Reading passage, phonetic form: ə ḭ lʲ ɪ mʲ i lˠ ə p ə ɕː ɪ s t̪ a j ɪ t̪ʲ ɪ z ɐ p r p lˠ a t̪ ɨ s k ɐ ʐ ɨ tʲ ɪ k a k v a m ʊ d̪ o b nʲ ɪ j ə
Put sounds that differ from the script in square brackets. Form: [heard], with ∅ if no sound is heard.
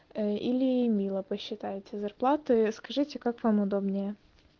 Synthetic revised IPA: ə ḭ lʲ ɪ mʲ i lˠ ə p ə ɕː ɪ [∅] t̪ a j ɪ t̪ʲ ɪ z ɐ [∅] r p lˠ a t̪ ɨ s k ɐ ʐ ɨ tʲ ɪ k a k v a m ʊ d̪ o b nʲ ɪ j ə